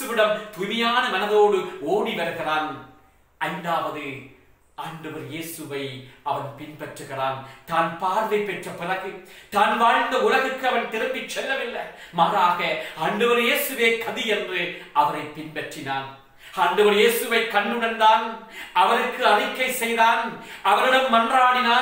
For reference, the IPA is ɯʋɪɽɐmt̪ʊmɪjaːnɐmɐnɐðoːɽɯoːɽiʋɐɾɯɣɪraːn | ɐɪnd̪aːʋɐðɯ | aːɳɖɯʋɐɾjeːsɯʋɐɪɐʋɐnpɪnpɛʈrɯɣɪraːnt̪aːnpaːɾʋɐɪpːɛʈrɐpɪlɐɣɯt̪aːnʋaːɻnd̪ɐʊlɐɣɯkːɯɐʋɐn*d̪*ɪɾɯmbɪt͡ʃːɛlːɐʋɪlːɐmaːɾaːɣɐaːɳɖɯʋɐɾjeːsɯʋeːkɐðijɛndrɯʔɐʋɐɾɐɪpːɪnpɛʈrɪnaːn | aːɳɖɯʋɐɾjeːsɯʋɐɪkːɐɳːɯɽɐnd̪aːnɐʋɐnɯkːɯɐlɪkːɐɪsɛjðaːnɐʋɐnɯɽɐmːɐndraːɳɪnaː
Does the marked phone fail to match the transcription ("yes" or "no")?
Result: yes